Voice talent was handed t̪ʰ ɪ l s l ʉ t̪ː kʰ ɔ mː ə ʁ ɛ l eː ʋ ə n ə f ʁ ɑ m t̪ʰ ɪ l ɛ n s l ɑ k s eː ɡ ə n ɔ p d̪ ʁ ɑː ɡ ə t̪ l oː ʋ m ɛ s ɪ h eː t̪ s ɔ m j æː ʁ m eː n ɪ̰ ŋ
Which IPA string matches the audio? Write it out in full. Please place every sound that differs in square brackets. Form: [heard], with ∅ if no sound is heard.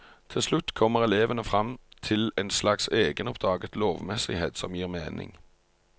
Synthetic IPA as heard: t̪ʰ ɪ l s l ʉ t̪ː kʰ ɔ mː ə ʁ ɛ l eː ʋ ə n ə f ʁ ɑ m t̪ʰ ɪ l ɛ n s l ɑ k s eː ɡ ə n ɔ p d̪ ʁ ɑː ɡ ə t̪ l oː ʋ m ɛ s ɪ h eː t̪ s ɔ m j [iː] ʁ m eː n ɪ̰ ŋ